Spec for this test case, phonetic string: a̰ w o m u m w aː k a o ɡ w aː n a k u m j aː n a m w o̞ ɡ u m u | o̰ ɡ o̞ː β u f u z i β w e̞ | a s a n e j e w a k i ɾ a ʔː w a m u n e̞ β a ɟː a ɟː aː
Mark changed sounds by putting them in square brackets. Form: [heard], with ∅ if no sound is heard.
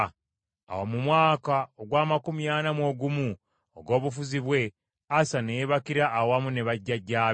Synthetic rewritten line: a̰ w o m u m w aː k a o ɡ w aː [m] a k u m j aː n a m w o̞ ɡ u m u | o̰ ɡ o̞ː β u f u z i β w e̞ | a s a n e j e [β] a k i ɾ a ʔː w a m u n e̞ β a ɟː a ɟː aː